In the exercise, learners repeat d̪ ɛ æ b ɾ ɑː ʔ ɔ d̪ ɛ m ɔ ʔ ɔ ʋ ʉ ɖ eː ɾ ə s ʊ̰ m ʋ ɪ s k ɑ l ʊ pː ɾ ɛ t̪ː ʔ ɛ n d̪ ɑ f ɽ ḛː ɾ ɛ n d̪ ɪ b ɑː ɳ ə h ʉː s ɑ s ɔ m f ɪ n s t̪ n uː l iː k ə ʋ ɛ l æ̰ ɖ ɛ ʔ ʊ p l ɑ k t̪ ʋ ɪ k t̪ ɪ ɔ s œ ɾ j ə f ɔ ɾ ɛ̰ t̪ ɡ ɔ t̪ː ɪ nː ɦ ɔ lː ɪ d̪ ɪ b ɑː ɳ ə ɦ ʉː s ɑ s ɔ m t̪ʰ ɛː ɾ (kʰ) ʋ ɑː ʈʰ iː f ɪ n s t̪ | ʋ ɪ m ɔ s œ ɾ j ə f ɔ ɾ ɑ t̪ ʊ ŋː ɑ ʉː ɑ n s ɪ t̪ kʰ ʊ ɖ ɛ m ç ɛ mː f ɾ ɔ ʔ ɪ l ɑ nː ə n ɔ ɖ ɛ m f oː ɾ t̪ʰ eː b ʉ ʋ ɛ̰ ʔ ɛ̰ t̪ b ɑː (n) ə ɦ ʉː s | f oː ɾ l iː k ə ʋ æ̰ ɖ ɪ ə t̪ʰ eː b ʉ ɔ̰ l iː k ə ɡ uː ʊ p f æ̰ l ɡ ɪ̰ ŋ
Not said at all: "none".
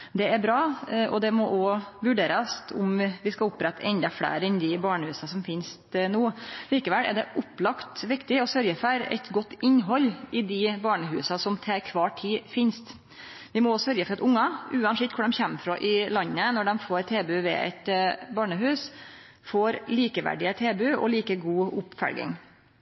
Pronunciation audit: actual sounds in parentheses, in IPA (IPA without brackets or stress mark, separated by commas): kʰ, ɳ